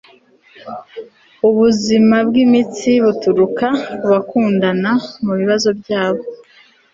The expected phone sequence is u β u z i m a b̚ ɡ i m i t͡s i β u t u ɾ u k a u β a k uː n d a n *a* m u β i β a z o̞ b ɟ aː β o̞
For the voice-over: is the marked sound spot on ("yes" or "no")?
yes